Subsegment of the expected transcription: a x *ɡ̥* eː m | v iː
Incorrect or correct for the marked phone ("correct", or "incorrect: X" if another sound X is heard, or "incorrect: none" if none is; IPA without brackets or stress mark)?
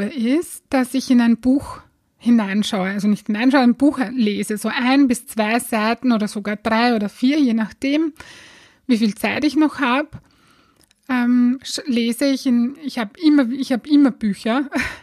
incorrect: d̥